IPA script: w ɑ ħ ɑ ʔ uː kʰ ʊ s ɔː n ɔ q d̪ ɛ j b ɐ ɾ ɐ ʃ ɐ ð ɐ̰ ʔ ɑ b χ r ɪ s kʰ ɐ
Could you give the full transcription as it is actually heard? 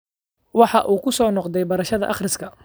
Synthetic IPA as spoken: w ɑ ħ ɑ ʔ uː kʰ ʊ s ɔː n ɔ q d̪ ɛ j b ɐ ɾ ɐ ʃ ɐ ð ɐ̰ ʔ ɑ χ r ɪ s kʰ ɐ